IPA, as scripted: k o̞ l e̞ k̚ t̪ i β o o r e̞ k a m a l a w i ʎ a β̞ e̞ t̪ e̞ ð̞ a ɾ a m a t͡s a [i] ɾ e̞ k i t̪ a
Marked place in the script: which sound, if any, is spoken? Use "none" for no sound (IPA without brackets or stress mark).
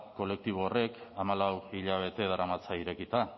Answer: i